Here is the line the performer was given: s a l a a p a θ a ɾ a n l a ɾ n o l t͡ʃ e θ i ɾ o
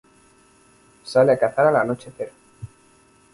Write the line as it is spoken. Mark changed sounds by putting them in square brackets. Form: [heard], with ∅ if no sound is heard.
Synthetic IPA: s a l [e] a [k] a θ a ɾ a [∅] l a [∅] n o [∅] t͡ʃ e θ [e] ɾ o